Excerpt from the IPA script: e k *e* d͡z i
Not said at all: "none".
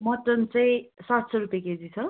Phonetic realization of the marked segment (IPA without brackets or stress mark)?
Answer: e